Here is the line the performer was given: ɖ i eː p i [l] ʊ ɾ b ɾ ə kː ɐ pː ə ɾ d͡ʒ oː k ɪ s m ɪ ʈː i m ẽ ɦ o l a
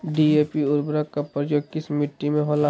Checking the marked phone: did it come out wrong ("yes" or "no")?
yes